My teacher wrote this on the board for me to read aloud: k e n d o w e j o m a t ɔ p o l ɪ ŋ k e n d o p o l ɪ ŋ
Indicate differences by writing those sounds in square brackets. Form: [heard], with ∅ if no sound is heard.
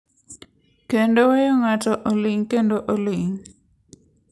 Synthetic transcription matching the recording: k e n d o w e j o [ŋ] a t ɔ [ʔ] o l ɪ ŋ k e n d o [ʔ] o l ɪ ŋ